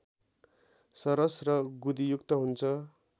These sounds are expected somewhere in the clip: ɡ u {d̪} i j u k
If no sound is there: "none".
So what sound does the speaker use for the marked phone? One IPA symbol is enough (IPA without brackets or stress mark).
d̪